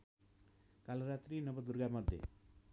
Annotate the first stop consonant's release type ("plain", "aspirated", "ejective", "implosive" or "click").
plain